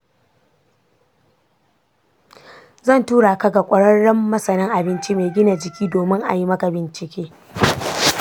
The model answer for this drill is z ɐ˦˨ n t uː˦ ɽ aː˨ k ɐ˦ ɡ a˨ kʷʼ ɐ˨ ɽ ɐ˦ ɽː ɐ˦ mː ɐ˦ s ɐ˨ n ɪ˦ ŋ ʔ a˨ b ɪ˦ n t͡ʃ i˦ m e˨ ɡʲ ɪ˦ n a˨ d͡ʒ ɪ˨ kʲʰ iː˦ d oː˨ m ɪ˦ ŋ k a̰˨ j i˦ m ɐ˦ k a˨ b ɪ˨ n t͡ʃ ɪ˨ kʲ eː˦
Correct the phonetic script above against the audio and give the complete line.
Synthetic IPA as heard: z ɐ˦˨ n t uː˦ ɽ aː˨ k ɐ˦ ɡ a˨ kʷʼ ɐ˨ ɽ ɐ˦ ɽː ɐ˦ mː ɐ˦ s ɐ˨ n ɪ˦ ŋ ʔ a˨ b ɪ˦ n t͡ʃ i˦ m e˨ ɡʲ ɪ˦ n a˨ d͡ʒ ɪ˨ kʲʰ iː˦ d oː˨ m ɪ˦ ŋ ʔ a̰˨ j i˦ m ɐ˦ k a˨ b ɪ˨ n t͡ʃ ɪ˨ kʲ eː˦